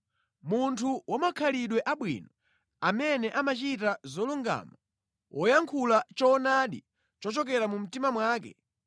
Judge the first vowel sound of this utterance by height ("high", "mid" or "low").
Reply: high